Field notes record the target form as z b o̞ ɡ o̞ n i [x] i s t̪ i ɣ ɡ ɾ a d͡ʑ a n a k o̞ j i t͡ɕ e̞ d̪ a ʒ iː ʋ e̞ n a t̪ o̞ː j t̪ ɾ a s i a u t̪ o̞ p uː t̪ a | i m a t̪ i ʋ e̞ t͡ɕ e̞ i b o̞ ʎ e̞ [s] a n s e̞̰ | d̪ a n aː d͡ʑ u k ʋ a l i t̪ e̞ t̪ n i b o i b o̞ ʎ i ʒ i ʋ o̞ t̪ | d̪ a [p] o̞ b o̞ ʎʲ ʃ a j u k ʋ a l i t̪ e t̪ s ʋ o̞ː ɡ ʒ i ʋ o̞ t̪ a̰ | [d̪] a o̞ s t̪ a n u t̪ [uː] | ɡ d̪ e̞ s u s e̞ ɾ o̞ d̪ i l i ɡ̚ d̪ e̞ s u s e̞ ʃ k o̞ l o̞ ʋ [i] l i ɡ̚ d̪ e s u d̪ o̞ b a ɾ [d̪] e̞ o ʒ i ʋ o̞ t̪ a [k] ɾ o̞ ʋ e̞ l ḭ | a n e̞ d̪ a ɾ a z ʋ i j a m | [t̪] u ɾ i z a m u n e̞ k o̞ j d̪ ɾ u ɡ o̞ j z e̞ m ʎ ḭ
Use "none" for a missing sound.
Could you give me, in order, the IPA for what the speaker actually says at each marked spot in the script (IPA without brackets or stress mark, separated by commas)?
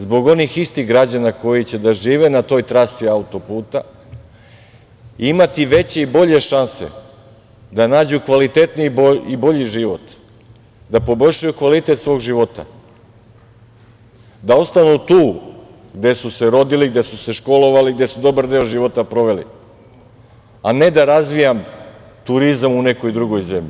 x, ʃ, p, d̪, uː, a, d̪, p, t̪